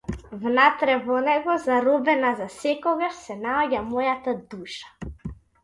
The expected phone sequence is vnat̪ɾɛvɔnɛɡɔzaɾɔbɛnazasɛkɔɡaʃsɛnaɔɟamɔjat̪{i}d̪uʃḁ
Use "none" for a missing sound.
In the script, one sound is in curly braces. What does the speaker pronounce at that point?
a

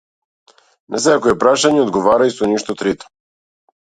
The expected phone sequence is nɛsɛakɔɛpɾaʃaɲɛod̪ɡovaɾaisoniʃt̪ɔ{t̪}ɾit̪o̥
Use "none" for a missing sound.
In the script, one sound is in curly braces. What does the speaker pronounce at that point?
t̪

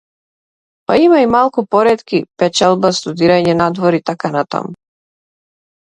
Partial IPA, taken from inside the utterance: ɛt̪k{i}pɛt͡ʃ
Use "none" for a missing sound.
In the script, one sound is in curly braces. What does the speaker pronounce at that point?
i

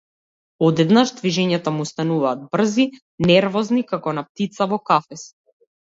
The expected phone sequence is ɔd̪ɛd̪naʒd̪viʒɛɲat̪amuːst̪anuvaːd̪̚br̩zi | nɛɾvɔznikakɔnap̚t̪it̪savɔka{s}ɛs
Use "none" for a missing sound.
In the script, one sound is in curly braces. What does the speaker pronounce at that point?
f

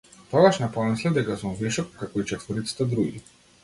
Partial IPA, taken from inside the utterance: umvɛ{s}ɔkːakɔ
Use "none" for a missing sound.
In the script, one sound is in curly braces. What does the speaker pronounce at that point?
ʃ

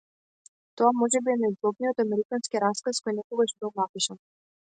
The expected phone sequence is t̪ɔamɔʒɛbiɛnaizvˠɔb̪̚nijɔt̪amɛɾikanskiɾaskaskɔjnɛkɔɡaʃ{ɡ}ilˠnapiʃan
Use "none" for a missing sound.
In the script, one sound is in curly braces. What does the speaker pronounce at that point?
b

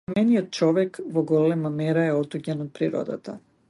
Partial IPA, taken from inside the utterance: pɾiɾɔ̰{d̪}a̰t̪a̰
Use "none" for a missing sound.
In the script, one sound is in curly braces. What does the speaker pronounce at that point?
d̪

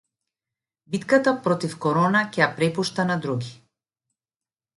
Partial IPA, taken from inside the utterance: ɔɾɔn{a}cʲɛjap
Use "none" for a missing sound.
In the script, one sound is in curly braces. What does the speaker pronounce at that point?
a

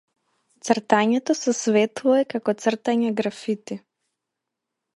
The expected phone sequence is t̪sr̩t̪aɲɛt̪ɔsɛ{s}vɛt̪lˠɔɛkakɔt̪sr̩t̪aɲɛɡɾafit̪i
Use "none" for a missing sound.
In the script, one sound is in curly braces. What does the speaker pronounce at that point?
s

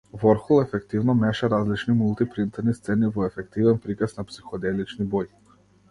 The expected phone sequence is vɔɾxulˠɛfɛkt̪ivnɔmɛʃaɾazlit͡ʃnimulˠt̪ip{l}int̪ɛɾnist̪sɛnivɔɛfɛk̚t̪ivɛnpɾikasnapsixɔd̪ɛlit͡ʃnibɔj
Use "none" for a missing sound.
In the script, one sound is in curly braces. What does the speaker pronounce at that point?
ɾ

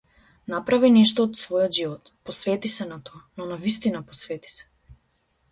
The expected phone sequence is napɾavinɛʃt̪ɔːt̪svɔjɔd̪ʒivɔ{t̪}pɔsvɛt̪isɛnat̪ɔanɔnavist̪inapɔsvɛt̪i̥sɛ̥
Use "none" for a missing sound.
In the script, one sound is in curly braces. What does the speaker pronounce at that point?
t̪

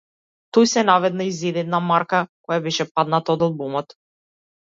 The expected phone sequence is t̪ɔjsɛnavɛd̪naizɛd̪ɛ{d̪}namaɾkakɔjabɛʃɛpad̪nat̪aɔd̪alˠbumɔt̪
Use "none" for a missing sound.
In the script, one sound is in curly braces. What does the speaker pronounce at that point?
d̪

